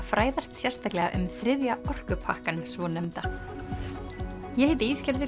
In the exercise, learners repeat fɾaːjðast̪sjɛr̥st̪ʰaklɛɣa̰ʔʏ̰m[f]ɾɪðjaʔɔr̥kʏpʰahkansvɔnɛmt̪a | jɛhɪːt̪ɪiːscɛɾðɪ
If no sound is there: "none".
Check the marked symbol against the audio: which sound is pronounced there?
θ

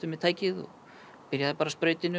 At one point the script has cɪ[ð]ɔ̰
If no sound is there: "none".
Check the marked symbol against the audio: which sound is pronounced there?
ð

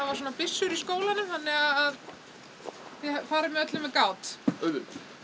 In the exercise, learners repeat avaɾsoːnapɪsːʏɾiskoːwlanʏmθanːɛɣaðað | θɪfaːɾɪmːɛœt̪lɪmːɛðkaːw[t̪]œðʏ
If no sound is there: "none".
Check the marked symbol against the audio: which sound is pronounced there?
t̪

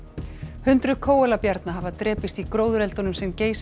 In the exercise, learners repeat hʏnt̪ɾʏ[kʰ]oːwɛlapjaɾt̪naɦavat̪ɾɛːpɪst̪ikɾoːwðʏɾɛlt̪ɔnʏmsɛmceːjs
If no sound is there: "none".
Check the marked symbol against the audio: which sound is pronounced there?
kʰ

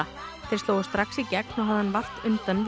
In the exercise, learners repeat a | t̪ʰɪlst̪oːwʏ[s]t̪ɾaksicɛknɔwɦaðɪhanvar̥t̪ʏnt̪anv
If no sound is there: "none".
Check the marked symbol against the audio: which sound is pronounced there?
s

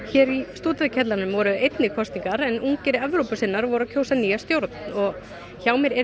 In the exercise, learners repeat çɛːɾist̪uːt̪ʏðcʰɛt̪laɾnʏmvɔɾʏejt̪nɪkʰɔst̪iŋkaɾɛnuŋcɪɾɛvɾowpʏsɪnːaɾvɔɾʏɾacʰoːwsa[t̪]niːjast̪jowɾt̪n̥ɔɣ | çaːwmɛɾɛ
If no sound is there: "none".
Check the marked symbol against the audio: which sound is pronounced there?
none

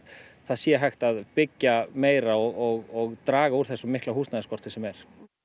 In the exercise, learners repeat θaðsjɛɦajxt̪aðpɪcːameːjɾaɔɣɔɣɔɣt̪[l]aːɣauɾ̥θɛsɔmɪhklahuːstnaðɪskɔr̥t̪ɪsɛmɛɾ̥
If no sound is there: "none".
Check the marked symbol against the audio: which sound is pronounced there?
ɾ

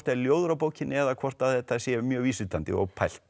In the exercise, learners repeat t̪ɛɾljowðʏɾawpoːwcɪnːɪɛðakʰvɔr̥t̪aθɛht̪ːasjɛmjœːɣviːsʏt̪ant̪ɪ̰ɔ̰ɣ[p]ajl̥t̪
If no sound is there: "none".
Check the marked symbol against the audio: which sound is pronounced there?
pʰ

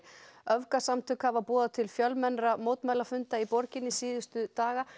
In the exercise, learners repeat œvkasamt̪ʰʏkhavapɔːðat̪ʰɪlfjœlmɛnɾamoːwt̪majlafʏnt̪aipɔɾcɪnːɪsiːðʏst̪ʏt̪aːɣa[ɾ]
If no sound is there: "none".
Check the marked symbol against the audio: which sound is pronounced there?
none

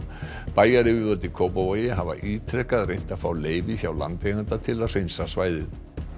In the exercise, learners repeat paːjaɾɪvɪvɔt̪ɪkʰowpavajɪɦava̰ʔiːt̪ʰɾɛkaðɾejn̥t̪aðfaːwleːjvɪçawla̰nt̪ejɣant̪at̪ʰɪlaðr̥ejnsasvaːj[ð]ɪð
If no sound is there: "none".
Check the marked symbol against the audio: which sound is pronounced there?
ð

